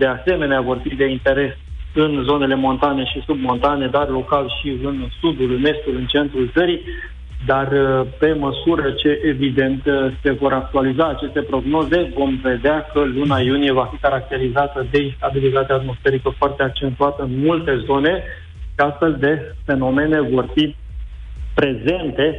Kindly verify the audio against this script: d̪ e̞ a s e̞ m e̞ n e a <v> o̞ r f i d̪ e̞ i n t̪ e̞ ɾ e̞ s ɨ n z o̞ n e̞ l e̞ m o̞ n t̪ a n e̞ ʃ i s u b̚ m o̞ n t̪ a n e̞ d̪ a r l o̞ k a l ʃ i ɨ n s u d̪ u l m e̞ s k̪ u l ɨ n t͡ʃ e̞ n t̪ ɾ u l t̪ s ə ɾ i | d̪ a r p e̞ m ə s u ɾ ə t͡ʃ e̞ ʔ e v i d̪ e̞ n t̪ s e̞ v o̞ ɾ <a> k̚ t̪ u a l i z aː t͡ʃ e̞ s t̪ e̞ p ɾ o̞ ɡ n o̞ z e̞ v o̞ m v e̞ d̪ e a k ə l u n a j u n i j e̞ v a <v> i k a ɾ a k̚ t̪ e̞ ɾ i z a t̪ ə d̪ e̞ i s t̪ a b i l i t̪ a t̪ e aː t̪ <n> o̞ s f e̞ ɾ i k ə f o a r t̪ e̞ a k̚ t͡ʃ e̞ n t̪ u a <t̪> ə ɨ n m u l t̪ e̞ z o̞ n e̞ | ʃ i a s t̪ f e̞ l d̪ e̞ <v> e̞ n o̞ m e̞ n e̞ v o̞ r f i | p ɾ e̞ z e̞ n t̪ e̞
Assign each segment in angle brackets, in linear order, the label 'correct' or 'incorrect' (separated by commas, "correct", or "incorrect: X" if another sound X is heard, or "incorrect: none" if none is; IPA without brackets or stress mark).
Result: correct, correct, incorrect: f, incorrect: m, correct, incorrect: f